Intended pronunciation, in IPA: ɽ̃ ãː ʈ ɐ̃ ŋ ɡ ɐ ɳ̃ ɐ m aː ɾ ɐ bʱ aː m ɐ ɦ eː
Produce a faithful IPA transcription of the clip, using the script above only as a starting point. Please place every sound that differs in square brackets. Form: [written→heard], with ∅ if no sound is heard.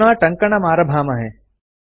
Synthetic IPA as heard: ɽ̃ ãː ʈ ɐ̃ ŋ [ɡ→k] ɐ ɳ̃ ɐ m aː ɾ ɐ bʱ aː m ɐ ɦ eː